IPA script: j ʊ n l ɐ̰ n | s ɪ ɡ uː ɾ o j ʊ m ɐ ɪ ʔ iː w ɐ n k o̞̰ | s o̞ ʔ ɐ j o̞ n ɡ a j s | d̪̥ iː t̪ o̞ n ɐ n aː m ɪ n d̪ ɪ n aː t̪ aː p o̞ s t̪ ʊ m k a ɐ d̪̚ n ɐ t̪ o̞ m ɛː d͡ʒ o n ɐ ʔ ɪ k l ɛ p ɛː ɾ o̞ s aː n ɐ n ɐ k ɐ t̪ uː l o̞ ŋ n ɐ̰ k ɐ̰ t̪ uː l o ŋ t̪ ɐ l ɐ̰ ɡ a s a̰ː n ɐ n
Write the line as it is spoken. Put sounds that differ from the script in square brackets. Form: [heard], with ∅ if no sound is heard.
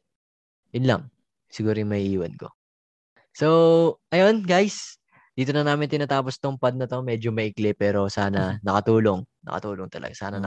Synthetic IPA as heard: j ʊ n l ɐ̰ [ŋ] | s ɪ ɡ uː ɾ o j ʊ m ɐ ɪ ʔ iː w ɐ n k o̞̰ | s o̞ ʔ ɐ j o̞ n ɡ a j s | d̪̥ iː t̪ o̞ n ɐ n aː m ɪ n [t̪] ɪ n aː t̪ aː p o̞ s t̪ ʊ m [p] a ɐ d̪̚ n ɐ t̪ o̞ m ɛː d͡ʒ o [m] ɐ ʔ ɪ k l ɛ p ɛː ɾ o̞ s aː n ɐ n ɐ k ɐ t̪ uː l o̞ ŋ n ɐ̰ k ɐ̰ t̪ uː l o ŋ t̪ ɐ l ɐ̰ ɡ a s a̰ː n ɐ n